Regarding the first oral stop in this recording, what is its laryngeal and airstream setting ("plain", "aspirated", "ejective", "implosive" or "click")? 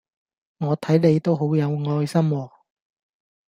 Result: aspirated